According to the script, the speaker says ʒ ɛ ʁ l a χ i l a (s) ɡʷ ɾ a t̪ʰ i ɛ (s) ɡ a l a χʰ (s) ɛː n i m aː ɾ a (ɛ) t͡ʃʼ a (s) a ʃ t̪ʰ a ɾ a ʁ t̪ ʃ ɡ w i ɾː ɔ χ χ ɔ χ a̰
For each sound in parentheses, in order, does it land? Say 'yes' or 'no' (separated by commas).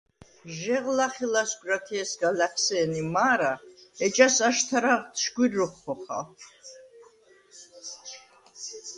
yes, yes, yes, yes, yes